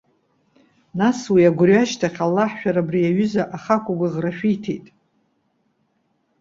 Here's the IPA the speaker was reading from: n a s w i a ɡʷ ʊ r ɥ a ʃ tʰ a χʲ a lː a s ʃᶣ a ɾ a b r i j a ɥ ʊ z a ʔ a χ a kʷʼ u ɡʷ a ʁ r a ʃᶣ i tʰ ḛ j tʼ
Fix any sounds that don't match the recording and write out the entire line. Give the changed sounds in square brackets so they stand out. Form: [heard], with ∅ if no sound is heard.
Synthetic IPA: n a s w i a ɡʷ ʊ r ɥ a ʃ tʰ a χʲ a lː a [ħ] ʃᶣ a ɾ a b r i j a ɥ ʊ z a ʔ a χ a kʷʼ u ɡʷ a ʁ r a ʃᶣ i tʰ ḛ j tʼ